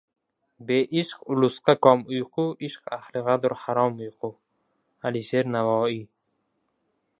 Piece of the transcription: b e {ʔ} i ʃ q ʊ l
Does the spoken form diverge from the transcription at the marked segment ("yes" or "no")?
no